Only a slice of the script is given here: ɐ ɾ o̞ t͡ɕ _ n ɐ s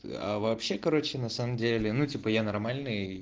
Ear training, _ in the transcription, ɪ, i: ɪ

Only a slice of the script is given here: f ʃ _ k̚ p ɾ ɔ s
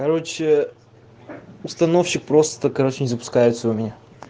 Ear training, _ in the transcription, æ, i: i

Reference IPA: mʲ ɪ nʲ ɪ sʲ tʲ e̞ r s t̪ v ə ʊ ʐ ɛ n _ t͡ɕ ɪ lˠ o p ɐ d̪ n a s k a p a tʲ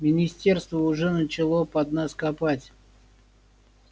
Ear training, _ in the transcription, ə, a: ə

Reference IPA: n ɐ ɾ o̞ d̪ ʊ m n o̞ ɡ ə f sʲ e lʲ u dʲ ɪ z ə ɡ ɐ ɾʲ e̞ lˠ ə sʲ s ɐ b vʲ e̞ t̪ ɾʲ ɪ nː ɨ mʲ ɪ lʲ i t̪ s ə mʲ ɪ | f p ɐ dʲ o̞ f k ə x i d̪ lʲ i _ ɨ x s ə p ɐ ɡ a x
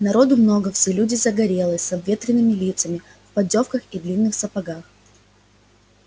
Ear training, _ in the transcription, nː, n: nː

